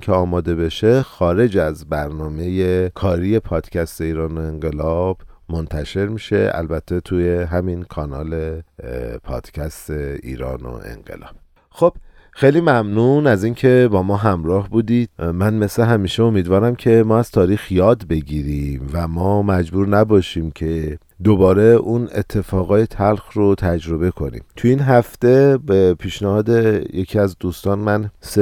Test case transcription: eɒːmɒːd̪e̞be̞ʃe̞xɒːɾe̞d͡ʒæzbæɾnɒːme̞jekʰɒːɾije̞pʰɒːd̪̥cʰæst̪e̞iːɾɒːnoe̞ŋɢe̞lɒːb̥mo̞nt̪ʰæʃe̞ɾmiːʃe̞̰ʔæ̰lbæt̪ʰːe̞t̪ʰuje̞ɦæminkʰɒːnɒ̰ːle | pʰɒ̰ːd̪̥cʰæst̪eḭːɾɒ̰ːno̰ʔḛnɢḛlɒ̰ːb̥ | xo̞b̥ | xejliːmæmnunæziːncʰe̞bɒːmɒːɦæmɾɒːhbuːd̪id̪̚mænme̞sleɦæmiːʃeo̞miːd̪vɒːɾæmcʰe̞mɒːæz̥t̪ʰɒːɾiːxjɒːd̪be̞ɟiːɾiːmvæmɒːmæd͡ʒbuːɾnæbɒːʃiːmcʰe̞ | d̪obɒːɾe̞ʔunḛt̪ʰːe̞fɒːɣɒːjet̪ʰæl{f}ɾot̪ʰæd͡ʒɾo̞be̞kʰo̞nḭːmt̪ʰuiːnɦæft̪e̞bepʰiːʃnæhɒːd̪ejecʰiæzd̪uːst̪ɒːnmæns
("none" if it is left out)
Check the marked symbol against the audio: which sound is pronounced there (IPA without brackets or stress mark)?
x